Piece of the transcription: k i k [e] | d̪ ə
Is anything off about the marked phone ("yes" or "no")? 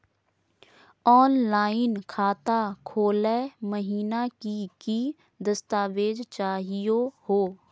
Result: yes